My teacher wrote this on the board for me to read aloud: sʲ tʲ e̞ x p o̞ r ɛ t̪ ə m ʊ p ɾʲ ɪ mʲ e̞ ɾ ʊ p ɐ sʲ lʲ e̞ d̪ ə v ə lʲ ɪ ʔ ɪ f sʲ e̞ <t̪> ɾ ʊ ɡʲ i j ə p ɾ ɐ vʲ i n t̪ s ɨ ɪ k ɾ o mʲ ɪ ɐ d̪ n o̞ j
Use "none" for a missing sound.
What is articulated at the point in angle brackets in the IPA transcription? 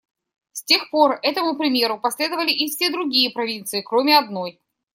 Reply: d̪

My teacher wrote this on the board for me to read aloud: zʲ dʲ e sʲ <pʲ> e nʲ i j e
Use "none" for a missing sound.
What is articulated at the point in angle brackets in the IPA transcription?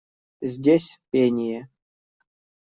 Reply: pʲ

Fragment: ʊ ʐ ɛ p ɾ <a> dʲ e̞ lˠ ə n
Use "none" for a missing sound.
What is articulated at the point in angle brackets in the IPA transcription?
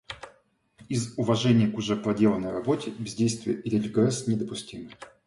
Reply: ɐ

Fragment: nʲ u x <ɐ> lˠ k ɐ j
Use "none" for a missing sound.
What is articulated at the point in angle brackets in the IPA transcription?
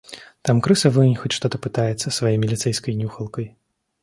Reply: ɐ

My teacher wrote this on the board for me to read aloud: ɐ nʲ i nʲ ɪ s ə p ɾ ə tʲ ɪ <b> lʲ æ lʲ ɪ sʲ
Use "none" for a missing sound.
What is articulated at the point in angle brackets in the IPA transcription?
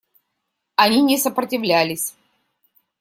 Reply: v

